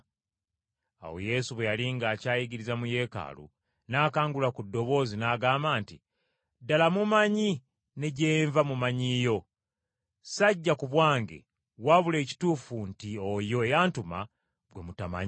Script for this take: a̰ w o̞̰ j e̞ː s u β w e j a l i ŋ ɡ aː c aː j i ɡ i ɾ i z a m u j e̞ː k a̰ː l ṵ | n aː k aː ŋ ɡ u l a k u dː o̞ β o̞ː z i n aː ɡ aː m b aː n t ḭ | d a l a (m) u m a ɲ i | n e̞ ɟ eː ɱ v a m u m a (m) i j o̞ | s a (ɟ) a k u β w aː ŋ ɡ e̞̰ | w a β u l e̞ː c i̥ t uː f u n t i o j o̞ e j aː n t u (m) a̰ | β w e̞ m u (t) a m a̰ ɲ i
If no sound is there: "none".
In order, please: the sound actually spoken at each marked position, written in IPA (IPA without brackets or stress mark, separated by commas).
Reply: m, ɲ, ɟː, m, t